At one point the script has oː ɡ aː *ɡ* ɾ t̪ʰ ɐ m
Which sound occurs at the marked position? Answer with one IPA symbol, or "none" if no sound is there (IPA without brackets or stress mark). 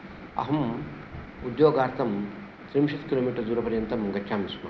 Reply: none